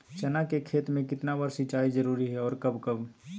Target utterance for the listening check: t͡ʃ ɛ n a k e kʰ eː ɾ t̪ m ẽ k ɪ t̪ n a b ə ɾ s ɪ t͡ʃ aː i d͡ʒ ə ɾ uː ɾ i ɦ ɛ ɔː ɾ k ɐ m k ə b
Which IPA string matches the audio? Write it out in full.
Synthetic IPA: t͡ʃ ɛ n a k e kʰ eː t̪ m ẽ k ɪ t̪ n a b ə ɾ s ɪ t͡ʃ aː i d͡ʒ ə ɾ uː ɾ i ɦ ɛ ɔː ɾ k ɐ b k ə b